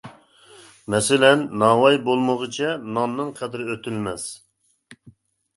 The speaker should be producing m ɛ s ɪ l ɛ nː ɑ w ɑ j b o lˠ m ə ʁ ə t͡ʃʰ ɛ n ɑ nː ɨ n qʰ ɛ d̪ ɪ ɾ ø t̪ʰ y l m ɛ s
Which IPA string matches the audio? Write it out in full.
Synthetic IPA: m ɛ s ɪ l ɛ nː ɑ w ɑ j b o lˠ m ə ʁ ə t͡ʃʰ ɛ n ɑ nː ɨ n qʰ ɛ d̪ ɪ ɾ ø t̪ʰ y l m ɛ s